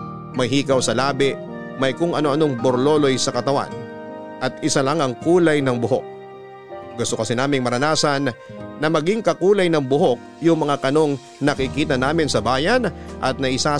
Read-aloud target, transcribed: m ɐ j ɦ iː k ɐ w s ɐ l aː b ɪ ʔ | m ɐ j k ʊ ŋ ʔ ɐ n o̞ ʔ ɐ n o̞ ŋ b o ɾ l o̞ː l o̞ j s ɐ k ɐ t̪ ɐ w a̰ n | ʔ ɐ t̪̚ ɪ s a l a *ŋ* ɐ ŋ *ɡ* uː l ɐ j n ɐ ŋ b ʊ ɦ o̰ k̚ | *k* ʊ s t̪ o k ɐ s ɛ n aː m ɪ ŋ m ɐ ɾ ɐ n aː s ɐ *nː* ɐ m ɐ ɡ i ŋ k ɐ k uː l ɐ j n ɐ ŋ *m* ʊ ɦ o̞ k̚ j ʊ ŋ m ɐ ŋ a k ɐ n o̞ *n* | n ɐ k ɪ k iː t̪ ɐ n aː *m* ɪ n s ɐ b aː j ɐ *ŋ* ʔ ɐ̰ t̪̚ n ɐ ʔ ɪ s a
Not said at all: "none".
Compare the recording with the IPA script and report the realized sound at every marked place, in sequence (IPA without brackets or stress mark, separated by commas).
ŋ, k, ɡ, nː, b, ŋ, m, n